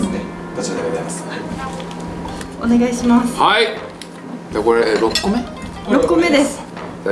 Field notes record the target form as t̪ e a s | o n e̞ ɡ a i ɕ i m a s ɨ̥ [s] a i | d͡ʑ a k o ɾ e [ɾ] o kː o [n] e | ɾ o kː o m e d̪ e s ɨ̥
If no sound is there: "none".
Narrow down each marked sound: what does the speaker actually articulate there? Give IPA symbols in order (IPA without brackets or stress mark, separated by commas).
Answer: h, ɾ, m